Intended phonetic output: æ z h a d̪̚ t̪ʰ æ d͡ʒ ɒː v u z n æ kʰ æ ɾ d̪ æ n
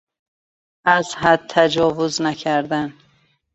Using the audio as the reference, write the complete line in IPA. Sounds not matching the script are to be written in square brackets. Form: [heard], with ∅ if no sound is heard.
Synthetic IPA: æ z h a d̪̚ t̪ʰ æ d͡ʒ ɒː v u z n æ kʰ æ ɾ d̪ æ n